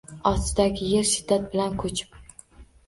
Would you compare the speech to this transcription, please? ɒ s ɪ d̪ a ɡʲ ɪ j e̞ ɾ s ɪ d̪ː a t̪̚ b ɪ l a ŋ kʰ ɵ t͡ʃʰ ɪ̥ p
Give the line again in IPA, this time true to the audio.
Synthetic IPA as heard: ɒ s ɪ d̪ a ɡʲ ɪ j e̞ ɾ ʃ ɪ d̪ː a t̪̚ b ɪ l a n kʰ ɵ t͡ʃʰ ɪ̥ p